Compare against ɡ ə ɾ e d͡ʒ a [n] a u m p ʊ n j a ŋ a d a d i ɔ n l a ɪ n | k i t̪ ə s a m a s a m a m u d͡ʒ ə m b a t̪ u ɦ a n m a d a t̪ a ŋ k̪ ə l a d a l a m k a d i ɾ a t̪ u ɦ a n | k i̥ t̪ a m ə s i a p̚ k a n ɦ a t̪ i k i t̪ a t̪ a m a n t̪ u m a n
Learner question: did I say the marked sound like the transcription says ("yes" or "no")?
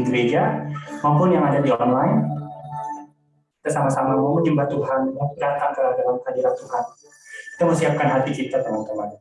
no